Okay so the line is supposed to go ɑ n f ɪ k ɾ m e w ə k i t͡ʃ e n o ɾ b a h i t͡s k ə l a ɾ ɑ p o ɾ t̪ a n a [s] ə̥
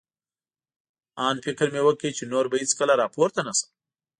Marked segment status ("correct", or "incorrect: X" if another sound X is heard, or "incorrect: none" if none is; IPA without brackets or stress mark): correct